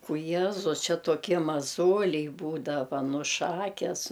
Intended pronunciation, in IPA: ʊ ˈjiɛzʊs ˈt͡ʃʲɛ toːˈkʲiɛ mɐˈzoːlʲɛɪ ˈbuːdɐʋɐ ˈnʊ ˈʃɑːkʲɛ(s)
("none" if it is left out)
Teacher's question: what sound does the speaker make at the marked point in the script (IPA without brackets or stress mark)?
s